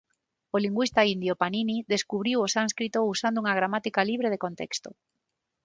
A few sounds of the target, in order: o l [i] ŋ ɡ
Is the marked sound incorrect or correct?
correct